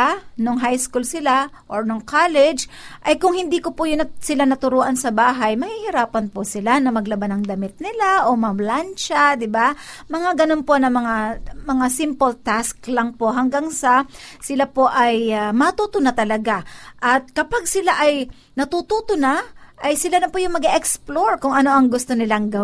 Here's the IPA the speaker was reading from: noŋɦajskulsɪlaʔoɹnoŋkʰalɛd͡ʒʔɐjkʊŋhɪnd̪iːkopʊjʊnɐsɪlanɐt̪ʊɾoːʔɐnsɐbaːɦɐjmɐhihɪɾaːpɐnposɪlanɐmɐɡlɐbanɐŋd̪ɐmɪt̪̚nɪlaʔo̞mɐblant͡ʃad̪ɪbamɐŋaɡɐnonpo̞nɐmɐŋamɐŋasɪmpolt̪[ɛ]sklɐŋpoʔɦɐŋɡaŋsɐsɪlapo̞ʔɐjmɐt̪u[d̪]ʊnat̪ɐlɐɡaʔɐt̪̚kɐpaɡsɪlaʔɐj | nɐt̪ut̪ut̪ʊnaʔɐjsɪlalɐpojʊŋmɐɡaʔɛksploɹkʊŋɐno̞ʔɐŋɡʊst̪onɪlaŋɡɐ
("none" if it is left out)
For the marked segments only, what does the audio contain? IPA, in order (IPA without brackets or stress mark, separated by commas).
a, t̪